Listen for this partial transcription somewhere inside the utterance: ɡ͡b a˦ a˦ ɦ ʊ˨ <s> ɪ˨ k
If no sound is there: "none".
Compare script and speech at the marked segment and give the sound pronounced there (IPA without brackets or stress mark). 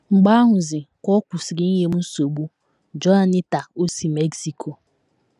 z